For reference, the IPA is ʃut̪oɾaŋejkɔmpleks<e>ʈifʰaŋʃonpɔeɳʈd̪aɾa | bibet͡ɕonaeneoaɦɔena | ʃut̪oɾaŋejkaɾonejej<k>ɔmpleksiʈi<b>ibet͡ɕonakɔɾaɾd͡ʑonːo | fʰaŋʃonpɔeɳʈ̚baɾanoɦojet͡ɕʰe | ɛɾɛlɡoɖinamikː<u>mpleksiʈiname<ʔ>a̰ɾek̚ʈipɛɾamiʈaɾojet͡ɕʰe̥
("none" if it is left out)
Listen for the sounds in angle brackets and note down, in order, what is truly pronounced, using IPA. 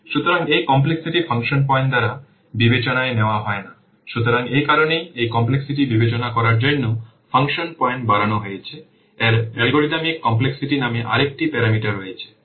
i, k, b, ɔ, ʔ

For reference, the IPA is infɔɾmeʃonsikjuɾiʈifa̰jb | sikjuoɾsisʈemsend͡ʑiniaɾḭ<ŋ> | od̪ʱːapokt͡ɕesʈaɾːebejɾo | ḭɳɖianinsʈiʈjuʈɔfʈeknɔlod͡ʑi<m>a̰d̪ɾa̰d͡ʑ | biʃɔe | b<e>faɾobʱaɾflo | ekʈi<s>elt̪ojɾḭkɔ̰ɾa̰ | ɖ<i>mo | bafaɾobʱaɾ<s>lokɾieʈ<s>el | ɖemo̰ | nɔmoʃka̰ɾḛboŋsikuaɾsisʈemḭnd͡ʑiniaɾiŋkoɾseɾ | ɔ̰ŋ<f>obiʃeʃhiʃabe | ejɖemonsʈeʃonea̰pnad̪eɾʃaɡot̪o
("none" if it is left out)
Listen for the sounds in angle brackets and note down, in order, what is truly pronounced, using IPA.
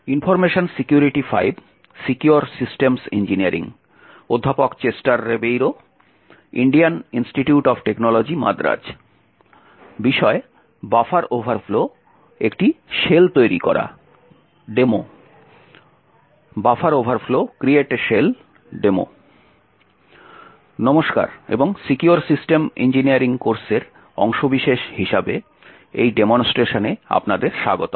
ŋ, m, a, ʃ, e, f, ʃ, ʃ

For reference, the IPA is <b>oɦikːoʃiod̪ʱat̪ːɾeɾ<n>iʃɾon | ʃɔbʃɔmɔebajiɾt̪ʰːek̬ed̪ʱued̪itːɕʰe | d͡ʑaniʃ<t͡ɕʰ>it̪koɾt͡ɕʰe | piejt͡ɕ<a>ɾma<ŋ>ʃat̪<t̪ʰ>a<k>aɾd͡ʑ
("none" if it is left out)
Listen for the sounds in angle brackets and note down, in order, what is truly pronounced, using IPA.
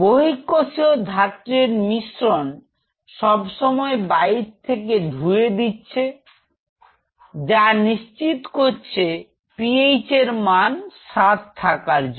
b, m, t͡ɕ, e, n, t̪ʰ, k

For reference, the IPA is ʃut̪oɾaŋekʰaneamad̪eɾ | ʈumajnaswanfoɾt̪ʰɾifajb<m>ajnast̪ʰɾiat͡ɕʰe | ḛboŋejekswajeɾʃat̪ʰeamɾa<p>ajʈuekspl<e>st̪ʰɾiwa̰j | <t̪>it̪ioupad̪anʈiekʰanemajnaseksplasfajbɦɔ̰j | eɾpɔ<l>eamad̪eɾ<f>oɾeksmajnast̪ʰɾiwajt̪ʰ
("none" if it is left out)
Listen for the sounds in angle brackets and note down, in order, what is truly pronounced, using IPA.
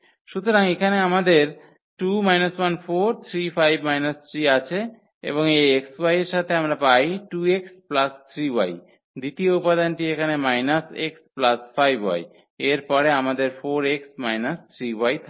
m, p, a, d̪, ɾ, f

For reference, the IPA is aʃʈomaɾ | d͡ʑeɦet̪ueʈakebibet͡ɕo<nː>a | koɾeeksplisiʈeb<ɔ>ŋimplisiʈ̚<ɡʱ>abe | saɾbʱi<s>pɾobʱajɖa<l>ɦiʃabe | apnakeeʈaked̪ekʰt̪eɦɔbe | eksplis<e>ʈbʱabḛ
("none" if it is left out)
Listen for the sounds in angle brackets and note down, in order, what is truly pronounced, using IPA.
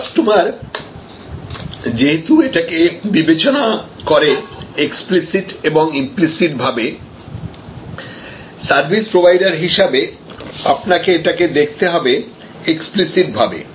n, o, bʱ, s, ɾ, i

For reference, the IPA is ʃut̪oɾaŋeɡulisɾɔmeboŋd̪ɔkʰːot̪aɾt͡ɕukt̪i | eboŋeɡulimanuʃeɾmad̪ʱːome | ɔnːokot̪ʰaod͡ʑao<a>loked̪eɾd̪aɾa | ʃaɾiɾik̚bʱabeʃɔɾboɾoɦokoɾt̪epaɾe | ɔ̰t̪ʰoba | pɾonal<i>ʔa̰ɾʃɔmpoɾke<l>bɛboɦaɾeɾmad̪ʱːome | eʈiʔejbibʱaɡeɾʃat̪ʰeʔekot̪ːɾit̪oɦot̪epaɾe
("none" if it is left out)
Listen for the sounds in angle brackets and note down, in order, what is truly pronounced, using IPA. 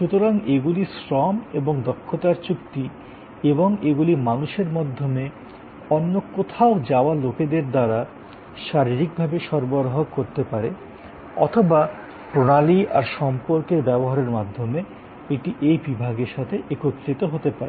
a, i, ɾ

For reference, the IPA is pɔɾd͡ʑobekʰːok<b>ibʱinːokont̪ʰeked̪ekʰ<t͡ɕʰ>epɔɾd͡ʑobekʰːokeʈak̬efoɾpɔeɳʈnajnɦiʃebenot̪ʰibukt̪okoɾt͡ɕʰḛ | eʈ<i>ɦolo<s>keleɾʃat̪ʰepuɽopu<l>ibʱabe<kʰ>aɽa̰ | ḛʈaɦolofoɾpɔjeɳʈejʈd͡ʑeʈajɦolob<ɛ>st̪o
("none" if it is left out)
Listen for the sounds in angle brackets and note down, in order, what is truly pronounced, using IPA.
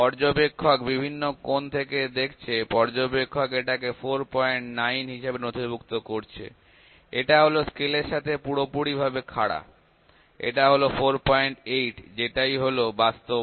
b, t͡ɕʰ, a, s, ɽ, kʰ, a

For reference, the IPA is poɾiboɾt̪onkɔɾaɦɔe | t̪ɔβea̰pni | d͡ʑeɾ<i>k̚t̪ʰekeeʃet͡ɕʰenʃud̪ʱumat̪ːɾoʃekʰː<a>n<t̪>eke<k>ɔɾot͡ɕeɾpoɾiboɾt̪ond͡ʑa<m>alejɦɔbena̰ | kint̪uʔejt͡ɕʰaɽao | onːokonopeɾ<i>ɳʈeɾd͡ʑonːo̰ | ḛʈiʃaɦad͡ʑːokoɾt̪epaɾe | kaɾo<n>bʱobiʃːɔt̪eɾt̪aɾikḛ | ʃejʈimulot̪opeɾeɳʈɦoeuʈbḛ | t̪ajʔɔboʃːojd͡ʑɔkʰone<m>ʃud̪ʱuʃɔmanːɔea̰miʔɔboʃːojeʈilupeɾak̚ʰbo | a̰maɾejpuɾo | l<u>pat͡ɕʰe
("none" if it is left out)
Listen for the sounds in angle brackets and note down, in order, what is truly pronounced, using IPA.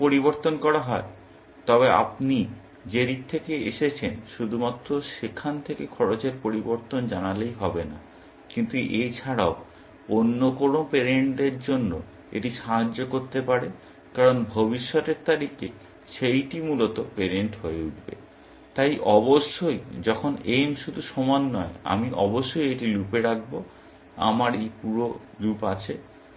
i, a, t̪ʰ, kʰ, n, e, n, m, u

